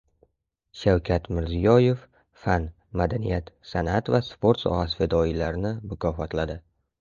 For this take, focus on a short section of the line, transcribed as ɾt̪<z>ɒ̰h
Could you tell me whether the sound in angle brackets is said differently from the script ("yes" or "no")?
yes